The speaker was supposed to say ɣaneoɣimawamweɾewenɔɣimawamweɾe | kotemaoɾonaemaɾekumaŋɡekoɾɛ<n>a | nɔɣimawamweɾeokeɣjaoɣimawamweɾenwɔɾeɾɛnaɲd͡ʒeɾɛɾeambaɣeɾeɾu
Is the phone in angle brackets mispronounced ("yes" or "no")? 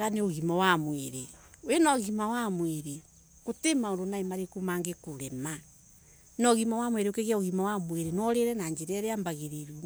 yes